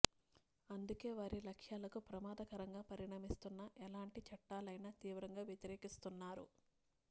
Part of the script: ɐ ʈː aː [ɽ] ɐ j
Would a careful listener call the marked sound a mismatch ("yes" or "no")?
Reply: yes